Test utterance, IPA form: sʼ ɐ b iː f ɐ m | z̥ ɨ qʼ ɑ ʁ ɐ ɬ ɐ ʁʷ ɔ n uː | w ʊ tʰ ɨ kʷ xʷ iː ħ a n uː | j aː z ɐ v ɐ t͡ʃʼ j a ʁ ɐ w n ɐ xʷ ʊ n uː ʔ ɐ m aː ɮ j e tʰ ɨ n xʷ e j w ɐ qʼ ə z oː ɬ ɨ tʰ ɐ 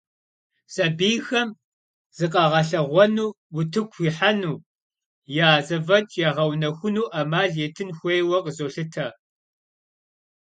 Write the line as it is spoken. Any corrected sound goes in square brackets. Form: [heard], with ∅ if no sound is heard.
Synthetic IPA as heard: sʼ ɐ b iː [x] ɐ m | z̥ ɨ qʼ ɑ ʁ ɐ ɬ ɐ ʁʷ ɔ n uː | w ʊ tʰ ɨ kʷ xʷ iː ħ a n uː | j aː z ɐ v ɐ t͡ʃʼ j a ʁ ɐ w n ɐ xʷ ʊ n uː ʔ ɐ m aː ɮ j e tʰ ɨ n xʷ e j w ɐ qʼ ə z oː ɬ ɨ tʰ ɐ